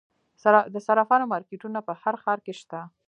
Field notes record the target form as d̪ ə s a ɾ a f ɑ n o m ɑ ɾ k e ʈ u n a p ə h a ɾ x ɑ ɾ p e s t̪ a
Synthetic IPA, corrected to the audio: d̪ ə s a ɾ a f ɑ n o m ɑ ɾ k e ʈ u n a p ə h a ɾ x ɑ ɾ k e ʃ t̪ a